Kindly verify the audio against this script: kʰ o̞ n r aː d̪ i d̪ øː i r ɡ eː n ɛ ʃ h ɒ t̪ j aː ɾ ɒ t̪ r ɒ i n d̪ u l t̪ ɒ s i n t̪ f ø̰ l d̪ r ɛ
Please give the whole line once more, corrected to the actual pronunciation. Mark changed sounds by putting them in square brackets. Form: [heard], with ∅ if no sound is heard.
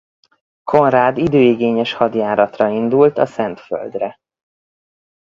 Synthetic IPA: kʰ o̞ n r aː d̪ i d̪ øː i [∅] ɡ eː [ɲ] ɛ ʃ h ɒ [d̪] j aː ɾ ɒ t̪ r ɒ i n d̪ u l t̪ ɒ s [ɛ] n t̪ f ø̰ l d̪ r ɛ